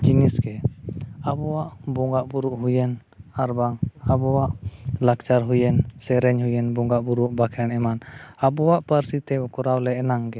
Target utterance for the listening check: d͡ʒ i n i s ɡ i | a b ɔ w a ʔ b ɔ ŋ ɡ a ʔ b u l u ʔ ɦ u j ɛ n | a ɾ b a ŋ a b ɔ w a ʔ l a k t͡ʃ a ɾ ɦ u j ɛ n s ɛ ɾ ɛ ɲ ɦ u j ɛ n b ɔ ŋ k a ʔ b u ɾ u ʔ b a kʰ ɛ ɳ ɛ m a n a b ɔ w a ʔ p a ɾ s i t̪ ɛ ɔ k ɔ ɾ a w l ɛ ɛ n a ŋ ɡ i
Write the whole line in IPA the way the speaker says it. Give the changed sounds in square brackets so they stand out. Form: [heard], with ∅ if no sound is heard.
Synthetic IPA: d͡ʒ i n i s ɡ [ɛ] | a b ɔ w a ʔ b ɔ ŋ ɡ a ʔ b u [ɾ] u ʔ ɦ u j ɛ n | a ɾ b a ŋ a b ɔ w a ʔ l a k t͡ʃ a ɾ ɦ u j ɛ n s ɛ ɾ ɛ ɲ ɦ u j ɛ n b ɔ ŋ [ɡ] a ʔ b u ɾ u ʔ b a kʰ ɛ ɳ ɛ m a n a b ɔ w a ʔ p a ɾ s i t̪ ɛ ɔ k ɔ ɾ a w l ɛ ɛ n a ŋ ɡ [ɛ]